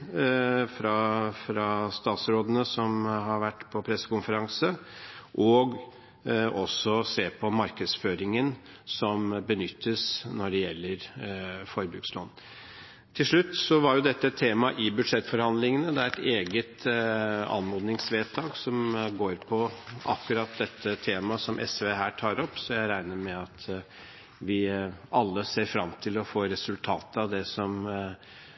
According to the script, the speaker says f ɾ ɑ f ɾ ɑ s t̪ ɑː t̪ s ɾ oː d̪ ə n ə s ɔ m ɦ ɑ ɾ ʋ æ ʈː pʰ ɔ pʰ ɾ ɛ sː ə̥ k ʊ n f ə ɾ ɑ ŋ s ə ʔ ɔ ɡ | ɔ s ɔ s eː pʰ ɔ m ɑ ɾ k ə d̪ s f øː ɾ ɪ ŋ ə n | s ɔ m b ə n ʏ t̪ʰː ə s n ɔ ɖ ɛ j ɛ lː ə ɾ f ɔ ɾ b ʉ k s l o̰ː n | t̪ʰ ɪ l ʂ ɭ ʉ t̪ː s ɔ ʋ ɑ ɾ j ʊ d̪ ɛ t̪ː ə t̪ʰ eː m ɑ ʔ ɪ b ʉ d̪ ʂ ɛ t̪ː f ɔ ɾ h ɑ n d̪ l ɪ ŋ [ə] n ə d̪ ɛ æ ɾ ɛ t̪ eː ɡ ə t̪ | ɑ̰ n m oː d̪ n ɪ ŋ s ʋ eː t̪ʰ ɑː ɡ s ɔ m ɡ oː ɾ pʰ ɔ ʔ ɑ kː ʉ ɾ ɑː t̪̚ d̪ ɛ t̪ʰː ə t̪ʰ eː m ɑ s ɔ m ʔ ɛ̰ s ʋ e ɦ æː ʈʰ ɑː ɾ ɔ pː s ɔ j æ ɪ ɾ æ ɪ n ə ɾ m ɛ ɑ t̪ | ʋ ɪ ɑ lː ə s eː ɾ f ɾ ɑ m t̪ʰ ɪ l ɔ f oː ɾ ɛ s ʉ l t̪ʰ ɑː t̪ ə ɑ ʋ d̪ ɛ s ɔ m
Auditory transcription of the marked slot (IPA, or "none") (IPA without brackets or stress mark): ə